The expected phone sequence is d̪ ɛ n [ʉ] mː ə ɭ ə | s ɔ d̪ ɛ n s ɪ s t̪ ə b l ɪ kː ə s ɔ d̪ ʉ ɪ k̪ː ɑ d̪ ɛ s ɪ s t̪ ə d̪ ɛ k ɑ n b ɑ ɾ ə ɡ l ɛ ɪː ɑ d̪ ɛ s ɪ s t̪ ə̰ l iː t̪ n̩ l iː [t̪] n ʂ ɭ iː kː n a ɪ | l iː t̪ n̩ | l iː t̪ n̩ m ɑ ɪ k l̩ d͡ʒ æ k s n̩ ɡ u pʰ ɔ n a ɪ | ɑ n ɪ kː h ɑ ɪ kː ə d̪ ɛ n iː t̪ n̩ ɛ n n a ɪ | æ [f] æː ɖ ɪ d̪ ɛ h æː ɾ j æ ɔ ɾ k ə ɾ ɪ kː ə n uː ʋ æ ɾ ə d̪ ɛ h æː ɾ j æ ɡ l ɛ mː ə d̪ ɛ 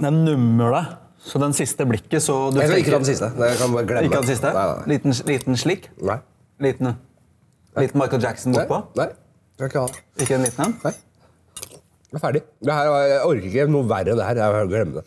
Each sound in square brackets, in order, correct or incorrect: correct, correct, correct

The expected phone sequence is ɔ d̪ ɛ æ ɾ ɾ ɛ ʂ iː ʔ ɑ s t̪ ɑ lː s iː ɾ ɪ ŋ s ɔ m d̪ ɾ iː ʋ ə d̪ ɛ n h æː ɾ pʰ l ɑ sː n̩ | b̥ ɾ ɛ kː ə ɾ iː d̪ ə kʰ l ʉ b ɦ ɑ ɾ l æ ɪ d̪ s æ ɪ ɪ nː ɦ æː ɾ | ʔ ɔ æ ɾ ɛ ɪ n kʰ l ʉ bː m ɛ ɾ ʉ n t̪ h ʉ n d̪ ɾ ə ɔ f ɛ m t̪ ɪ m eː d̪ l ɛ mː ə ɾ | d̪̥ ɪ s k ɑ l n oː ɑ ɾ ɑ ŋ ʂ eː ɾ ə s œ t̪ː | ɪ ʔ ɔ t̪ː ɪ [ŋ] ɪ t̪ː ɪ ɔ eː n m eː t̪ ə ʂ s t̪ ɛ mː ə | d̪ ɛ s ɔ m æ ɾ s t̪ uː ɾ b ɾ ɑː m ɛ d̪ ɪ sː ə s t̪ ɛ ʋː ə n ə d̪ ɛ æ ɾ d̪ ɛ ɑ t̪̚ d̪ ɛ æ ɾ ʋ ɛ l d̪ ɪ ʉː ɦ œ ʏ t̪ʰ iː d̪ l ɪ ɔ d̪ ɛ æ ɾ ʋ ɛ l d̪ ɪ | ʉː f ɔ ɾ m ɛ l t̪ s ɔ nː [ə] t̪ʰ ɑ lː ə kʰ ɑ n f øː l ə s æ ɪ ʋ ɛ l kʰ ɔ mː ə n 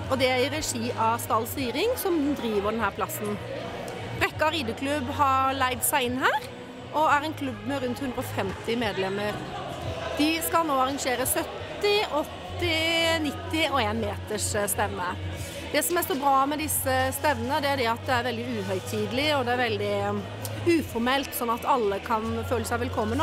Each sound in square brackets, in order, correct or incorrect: incorrect, incorrect

